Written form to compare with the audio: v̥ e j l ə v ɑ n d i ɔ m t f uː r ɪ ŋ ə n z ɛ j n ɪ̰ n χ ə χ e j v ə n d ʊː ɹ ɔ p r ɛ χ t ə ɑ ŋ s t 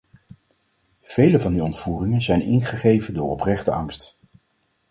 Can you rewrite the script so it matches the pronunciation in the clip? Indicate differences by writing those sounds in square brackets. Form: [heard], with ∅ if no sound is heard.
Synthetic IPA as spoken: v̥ e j l ə v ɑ n d i ɔ [n] t f uː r ɪ ŋ ə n z ɛ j n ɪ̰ n χ ə χ e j v ə n d ʊː ɹ ɔ p r ɛ χ t ə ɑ ŋ s t